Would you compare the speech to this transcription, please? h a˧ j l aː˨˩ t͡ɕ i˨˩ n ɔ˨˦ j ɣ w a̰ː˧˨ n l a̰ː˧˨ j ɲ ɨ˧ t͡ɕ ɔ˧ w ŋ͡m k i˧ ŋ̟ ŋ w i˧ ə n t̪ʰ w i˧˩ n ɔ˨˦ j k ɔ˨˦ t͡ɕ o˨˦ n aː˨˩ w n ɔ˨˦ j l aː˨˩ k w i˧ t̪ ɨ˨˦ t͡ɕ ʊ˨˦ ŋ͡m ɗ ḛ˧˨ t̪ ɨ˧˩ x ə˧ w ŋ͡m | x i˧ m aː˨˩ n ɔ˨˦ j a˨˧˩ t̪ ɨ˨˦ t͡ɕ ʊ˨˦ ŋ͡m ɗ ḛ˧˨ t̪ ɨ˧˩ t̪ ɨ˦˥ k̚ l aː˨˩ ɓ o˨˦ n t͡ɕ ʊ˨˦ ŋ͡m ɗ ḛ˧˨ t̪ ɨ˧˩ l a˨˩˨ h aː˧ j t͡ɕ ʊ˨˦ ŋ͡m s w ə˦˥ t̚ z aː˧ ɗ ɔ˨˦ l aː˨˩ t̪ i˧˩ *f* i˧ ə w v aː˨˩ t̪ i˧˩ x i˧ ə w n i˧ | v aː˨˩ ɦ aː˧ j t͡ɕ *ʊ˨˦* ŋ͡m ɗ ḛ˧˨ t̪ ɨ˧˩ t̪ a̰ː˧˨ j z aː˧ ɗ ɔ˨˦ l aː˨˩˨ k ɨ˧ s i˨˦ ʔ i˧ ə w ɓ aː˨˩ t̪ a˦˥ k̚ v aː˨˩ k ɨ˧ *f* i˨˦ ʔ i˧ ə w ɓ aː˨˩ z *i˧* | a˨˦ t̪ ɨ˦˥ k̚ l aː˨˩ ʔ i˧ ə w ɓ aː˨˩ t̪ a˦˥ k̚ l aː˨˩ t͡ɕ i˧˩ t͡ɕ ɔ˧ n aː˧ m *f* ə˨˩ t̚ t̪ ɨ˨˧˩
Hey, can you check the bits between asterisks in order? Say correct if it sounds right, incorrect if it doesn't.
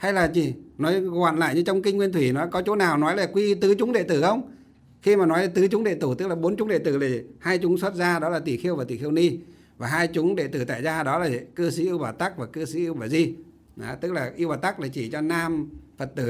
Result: incorrect: x, correct, incorrect: s, correct, correct

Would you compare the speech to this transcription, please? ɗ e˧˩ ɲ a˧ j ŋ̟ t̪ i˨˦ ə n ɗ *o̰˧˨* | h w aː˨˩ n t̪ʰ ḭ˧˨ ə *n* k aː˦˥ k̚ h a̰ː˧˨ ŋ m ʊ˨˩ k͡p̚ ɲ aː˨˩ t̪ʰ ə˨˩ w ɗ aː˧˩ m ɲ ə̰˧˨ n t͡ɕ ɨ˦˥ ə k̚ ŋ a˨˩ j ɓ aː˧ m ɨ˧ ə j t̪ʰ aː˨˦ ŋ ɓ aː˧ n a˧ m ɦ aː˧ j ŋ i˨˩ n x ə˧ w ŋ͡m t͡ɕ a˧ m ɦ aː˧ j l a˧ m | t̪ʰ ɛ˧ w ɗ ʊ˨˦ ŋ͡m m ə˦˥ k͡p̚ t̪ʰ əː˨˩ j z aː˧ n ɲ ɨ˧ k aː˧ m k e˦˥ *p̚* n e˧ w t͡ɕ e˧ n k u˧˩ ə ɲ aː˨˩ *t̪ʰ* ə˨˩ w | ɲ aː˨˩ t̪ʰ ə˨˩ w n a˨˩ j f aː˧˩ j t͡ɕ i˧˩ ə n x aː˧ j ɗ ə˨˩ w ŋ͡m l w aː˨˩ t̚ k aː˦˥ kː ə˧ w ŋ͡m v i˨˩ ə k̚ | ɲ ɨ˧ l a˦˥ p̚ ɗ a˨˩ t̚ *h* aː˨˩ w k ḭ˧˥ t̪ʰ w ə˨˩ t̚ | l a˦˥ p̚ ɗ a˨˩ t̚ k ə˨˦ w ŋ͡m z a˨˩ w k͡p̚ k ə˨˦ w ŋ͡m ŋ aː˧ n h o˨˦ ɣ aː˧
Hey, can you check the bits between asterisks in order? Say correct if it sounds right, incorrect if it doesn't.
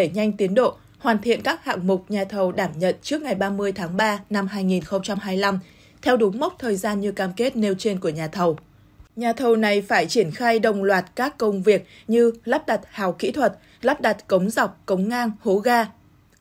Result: correct, correct, incorrect: t̚, correct, correct

